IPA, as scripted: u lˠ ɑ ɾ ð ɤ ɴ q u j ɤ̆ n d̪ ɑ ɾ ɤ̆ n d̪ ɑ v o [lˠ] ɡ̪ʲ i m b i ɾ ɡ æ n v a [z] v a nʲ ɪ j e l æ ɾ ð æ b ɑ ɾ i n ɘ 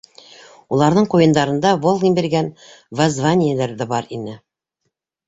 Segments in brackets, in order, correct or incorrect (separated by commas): correct, correct